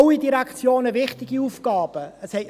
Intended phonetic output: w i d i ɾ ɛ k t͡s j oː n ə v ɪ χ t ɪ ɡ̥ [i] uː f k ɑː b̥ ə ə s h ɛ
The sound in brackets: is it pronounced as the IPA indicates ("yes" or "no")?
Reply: yes